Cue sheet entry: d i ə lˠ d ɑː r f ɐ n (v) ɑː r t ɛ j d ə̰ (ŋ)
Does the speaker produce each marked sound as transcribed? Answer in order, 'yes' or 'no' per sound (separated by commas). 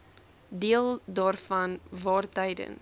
yes, no